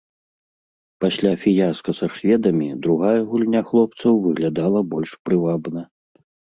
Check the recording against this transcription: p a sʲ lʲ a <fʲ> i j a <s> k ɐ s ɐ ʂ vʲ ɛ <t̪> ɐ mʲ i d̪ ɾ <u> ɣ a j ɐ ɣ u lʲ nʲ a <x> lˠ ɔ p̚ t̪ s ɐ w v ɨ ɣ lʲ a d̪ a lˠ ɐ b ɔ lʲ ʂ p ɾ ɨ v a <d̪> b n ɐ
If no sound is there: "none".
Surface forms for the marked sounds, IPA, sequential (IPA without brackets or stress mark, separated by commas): fʲ, s, d̪, u, x, none